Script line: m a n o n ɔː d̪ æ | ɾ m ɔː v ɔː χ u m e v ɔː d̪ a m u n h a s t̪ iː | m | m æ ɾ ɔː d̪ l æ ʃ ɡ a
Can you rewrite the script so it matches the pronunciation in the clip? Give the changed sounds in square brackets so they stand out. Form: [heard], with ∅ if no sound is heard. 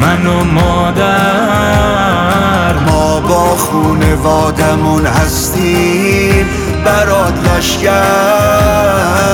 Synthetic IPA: m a n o [m] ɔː d̪ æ | ɾ m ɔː [b] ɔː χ u [n] e v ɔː d̪ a m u n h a s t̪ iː | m | [b] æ ɾ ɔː d̪ l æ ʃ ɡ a